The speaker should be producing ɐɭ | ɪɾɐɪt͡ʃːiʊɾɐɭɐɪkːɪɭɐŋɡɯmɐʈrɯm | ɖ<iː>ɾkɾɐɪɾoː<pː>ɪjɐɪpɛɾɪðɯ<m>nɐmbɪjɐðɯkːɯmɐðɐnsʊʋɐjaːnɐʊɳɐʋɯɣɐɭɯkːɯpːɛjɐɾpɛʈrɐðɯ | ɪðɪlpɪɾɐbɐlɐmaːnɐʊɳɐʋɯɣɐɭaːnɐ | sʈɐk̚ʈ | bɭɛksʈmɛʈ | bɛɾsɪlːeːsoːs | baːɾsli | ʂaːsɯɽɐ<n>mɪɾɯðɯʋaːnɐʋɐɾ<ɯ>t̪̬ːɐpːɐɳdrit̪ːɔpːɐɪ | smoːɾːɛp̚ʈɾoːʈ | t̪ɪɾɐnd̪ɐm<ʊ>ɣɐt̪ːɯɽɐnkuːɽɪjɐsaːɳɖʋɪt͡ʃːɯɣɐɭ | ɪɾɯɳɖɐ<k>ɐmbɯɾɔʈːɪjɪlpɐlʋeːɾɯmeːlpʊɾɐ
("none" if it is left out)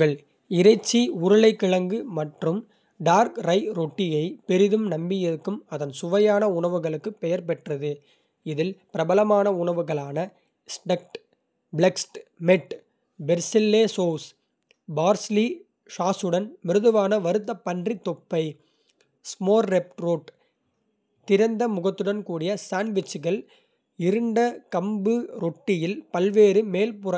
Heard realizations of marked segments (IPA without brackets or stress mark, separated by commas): aː, ʈː, m, n, ɯ, ʊ, k